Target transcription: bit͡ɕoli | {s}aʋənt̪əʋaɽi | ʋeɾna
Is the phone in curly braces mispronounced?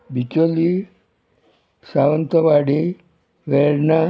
no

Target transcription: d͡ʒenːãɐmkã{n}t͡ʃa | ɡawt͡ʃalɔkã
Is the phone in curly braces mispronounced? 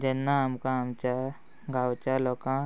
yes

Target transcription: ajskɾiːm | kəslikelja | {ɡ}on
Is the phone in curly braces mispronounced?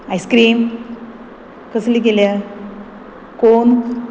yes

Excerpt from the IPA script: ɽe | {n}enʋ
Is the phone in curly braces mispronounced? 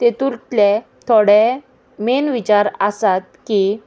yes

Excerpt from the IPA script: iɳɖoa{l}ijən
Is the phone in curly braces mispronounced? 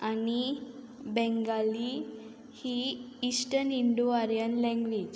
yes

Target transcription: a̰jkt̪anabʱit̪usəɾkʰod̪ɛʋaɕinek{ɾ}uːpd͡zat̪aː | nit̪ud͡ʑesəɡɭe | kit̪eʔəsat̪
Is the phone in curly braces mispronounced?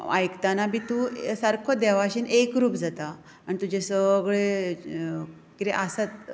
no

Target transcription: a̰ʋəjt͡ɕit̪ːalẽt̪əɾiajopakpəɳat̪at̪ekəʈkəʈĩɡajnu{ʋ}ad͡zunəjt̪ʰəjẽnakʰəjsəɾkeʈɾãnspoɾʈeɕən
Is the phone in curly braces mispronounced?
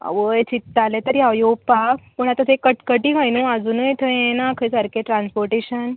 yes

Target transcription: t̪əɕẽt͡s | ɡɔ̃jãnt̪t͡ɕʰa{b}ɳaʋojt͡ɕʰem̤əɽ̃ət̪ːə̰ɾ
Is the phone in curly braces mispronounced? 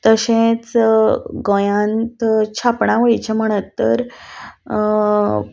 yes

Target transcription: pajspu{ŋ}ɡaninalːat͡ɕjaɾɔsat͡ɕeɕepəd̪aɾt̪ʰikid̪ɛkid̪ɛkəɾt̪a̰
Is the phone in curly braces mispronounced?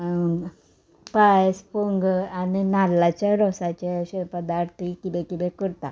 no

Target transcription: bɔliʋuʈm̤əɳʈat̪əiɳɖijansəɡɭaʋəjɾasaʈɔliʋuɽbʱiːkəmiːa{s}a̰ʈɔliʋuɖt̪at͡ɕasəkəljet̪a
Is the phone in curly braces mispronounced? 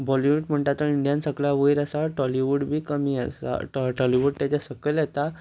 no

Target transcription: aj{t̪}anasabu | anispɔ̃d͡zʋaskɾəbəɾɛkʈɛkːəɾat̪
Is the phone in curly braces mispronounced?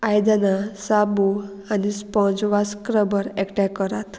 yes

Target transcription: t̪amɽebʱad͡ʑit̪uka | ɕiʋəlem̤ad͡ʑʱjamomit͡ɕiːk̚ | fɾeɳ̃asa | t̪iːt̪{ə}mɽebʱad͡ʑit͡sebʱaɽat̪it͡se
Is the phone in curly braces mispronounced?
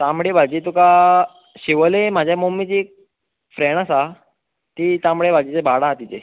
yes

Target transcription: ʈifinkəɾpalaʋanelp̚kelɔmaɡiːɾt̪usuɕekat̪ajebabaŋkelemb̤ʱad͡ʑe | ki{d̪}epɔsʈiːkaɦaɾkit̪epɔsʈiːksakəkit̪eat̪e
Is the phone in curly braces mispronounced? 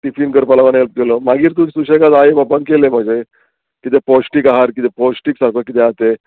yes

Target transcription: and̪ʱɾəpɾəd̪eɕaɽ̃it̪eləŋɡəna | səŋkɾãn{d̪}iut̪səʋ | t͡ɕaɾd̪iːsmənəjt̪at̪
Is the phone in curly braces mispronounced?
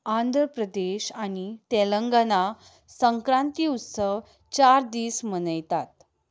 yes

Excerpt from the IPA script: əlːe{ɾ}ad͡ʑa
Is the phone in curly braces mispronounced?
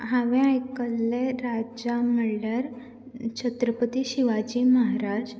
no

